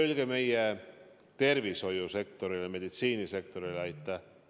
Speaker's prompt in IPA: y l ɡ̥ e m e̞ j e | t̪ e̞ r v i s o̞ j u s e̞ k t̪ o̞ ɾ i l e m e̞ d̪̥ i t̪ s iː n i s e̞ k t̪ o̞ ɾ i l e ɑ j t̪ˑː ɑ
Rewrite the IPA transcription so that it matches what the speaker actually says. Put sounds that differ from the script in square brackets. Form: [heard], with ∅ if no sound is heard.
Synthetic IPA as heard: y l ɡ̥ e m e̞ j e | t̪ e̞ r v i s o̞ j u s e̞ k t̪ o̞ ɾ i l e m e̞ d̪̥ i t̪ s iː n i s e̞ k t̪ o̞ ɾ i l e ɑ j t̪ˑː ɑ